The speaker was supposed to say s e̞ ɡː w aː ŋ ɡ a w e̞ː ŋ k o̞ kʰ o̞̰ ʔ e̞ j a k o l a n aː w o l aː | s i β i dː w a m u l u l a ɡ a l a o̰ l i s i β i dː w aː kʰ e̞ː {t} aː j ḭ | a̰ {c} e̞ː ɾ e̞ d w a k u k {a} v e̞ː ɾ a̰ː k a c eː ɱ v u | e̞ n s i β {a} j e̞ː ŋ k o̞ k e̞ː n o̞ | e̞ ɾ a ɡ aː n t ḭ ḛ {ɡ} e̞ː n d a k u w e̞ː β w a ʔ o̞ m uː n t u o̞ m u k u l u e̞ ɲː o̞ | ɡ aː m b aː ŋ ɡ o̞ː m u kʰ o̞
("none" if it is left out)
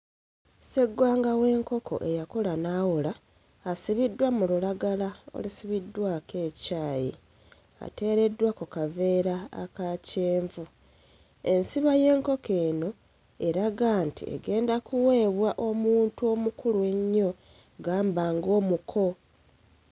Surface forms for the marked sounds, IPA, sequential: c, t, a, a, ɡ

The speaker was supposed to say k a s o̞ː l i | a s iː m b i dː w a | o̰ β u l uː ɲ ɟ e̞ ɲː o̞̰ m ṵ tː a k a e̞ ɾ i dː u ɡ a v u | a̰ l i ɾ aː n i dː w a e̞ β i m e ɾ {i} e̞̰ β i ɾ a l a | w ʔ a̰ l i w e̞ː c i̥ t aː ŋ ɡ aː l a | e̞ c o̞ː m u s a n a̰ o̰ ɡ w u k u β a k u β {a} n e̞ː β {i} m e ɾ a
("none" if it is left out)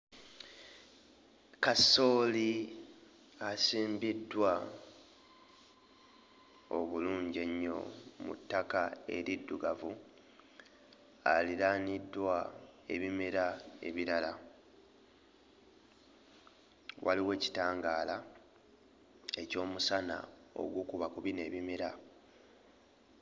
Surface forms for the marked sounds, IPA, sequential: a, i, i

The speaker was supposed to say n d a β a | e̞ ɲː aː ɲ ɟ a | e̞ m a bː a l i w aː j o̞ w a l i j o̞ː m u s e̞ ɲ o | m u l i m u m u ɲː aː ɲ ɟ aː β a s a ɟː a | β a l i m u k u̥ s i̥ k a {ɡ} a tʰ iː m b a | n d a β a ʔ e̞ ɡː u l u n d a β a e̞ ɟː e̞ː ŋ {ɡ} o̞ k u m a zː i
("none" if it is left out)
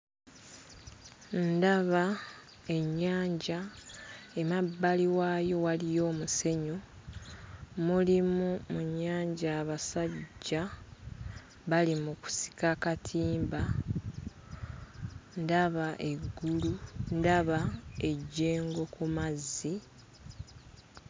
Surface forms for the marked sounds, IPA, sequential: k, ɡ

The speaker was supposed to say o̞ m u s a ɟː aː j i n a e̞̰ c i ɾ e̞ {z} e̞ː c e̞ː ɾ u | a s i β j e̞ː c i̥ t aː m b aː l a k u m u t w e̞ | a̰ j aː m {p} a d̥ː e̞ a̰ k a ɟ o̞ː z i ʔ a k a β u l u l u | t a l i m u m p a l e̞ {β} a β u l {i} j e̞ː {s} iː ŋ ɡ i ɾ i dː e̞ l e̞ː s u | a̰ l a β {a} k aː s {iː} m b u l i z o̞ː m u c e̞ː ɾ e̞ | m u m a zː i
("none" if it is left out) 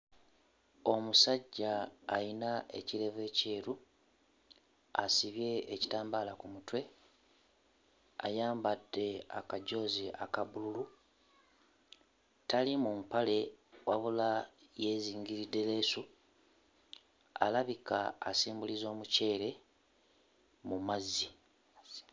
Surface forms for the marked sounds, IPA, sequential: v, b, w, a, z, i, iː

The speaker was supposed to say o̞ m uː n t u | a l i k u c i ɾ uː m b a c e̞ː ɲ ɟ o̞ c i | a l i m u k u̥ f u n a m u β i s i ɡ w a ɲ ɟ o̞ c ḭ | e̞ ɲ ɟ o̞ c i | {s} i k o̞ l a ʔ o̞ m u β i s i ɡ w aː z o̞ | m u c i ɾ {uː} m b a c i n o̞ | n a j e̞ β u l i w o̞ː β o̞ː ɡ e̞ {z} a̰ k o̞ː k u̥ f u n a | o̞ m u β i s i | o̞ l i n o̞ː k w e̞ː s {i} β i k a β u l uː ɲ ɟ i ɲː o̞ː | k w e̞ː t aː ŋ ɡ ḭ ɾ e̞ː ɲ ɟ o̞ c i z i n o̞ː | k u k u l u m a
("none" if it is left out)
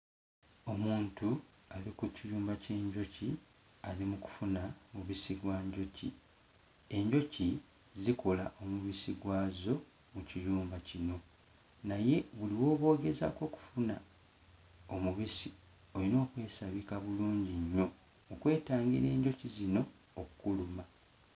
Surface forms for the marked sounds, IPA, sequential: z, uː, z, a

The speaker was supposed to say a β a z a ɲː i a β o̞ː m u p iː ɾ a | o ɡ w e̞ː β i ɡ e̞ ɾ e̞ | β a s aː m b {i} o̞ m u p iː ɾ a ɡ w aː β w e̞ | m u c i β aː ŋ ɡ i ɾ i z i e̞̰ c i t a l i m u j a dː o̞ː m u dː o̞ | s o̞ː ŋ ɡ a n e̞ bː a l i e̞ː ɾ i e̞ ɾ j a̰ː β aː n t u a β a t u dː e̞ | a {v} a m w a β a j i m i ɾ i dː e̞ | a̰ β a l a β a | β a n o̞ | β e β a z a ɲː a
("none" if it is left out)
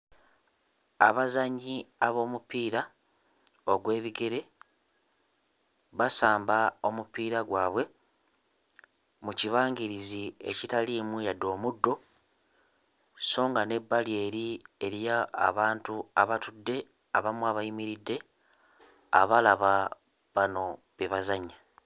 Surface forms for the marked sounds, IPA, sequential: a, β

